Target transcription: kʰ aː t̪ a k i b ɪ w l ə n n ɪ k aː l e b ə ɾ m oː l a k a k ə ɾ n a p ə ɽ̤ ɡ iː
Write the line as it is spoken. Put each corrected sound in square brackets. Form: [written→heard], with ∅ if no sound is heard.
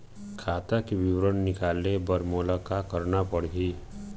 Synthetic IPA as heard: kʰ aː t̪ a k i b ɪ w [l→ɾ] ə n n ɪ k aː l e b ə ɾ m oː l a k a k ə ɾ n a p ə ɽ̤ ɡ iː

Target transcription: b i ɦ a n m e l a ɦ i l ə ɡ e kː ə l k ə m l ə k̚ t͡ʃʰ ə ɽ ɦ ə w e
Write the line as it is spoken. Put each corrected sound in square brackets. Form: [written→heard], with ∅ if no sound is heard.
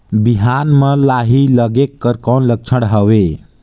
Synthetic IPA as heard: b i ɦ a n m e l a ɦ i l ə ɡ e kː ə [l→ɾ] k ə [m→n] l ə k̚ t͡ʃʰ ə ɽ ɦ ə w e

